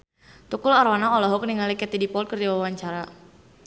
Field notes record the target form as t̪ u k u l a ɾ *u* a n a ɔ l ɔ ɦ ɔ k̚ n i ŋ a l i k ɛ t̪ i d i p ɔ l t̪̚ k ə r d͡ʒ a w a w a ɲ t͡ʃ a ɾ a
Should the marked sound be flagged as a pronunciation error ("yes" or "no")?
yes